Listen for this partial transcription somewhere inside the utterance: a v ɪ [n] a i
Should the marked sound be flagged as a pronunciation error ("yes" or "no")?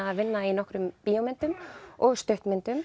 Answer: yes